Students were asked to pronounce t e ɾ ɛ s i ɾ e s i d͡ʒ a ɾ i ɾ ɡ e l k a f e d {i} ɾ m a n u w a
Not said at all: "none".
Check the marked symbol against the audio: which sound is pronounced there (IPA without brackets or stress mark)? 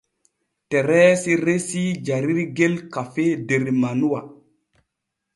e